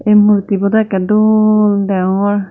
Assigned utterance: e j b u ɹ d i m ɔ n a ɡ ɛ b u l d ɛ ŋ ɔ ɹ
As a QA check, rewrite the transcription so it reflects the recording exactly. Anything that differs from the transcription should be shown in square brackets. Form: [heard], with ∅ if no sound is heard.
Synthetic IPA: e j [m] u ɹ [t] i [b] ɔ [d] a [k] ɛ [d] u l d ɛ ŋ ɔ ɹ